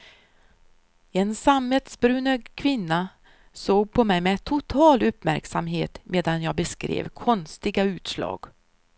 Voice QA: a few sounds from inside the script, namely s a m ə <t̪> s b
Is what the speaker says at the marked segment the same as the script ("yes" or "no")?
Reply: yes